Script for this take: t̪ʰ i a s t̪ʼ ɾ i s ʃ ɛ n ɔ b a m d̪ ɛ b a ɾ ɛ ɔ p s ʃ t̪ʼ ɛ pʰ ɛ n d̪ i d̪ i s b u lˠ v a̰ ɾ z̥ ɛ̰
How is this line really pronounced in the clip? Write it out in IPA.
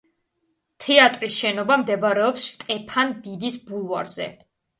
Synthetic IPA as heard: t̪ʰ ɛ a t̪ʼ ɾ i s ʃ ɛ n ɔ b a m d̪ ɛ b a ɾ ɛ ɔ p s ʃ t̪ʼ ɛ pʰ a n d̪ i d̪ i s b u lˠ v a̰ ɾ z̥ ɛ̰